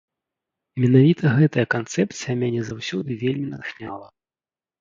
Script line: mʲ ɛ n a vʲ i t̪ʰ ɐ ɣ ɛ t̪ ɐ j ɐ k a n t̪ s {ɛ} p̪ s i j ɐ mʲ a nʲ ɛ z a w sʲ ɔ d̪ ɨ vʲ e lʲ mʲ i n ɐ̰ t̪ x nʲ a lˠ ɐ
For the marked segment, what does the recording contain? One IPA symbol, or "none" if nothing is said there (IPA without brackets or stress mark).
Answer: ɛ